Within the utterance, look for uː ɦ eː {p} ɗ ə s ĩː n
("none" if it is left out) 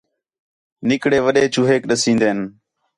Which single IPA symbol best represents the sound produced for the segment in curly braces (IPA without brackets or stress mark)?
k